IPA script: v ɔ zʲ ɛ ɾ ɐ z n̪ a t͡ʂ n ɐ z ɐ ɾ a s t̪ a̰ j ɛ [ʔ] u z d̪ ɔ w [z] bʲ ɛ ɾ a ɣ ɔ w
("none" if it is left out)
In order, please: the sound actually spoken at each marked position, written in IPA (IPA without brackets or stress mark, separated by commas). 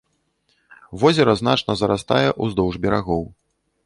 ʔ, ʐ